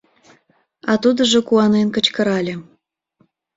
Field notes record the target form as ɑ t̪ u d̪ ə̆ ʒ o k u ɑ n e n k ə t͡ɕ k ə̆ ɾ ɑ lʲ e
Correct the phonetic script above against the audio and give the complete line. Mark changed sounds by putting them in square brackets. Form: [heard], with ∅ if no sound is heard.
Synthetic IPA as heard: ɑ t̪ u d̪ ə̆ ʒ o k u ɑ n e n k ə t͡ɕ k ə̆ ɾ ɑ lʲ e